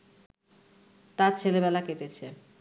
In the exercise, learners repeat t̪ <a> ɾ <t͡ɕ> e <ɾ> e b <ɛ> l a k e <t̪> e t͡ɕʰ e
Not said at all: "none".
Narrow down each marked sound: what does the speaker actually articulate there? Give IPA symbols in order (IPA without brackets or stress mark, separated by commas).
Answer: a, t͡ɕʰ, l, ɛ, t̪